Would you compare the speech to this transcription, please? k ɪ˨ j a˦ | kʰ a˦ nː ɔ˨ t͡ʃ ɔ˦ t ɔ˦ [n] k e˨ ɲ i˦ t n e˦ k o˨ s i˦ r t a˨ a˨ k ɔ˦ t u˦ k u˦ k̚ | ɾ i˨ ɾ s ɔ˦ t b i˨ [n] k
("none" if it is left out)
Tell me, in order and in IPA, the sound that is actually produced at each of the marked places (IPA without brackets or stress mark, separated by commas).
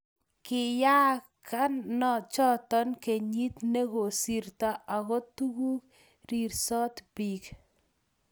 n, none